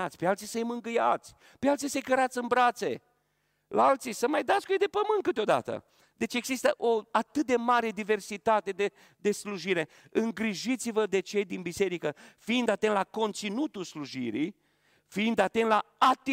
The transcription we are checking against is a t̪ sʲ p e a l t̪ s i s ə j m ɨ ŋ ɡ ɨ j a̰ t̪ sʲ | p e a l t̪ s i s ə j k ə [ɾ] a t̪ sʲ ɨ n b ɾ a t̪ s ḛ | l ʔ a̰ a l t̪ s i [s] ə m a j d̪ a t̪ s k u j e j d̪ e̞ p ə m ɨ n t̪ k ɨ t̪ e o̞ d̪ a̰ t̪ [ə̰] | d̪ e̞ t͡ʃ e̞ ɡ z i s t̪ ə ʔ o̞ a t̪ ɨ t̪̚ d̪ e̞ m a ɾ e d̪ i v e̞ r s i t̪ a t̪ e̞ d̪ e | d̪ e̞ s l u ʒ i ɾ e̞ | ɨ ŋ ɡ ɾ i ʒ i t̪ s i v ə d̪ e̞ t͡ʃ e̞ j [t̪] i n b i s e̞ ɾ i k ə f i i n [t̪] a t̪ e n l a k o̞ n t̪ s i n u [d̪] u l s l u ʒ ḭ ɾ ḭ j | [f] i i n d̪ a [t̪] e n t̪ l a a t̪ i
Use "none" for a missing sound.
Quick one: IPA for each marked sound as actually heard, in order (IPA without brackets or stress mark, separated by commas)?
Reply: ɾ, s, ə̰, d̪, d̪, t̪, f, t̪